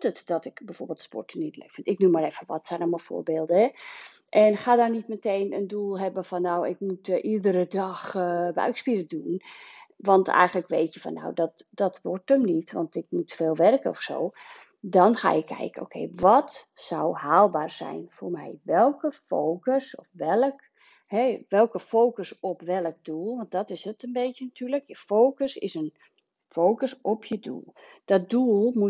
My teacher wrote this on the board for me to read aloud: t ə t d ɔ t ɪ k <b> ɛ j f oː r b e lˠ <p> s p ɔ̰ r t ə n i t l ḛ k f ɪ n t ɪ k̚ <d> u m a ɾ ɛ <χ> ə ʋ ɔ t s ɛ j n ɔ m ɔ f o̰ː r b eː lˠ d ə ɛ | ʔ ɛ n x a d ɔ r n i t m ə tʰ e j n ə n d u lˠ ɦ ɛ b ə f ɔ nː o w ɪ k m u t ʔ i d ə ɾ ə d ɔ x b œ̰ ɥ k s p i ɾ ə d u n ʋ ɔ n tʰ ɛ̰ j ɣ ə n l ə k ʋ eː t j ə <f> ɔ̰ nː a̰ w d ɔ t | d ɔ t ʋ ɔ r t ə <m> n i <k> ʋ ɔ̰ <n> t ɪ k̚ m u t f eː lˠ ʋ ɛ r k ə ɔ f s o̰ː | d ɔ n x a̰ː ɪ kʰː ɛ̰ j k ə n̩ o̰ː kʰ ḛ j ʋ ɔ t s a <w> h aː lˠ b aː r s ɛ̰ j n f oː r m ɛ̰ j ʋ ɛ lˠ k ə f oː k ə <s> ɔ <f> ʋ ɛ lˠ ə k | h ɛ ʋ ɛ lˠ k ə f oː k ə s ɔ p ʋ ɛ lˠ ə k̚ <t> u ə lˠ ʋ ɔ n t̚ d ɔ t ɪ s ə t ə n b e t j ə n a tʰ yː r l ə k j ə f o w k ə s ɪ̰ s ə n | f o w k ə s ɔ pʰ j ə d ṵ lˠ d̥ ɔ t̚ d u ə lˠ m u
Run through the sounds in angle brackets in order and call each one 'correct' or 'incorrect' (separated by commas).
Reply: correct, incorrect, incorrect, incorrect, correct, correct, incorrect, correct, correct, correct, correct, incorrect